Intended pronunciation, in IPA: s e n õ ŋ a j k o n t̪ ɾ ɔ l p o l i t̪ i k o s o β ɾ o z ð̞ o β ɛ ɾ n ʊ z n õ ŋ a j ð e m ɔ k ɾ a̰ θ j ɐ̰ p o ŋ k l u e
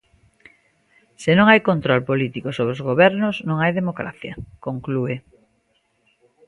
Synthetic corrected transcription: s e n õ ŋ a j k o n t̪ ɾ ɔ l p o l i t̪ i k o s o β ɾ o z ɣ̞ o β ɛ ɾ n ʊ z n õ ŋ a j ð e m o k ɾ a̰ θ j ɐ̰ k o ŋ k l u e